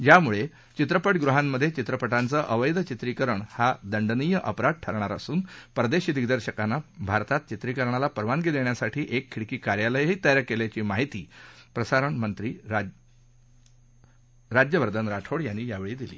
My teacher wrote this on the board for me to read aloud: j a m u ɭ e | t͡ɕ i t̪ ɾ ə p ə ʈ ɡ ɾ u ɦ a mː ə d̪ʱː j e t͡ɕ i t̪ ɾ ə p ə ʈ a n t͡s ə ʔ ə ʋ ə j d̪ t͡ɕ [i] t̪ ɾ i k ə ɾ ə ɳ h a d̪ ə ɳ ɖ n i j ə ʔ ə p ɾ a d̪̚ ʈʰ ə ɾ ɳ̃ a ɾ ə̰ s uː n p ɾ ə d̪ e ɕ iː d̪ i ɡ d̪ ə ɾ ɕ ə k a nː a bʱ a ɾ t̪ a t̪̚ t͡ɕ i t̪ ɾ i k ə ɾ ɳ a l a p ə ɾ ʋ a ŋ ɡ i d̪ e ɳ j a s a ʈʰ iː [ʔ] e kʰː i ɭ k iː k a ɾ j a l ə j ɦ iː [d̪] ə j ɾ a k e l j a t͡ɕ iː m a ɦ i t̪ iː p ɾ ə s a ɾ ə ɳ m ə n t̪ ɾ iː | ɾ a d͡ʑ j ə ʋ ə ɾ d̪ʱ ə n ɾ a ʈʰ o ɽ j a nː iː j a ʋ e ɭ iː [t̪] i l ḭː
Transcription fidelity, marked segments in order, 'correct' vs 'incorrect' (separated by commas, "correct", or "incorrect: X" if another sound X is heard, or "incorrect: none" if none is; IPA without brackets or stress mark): correct, correct, incorrect: t̪, incorrect: d̪